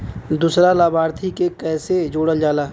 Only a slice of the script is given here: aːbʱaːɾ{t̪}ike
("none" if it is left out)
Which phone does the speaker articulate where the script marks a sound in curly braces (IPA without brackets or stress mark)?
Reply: t̪ʰ